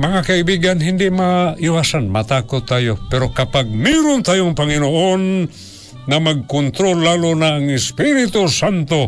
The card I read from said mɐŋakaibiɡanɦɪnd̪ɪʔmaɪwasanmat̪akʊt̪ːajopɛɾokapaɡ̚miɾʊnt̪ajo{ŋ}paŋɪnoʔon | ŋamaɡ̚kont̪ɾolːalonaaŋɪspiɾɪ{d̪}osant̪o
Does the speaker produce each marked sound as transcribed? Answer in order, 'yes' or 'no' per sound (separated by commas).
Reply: yes, no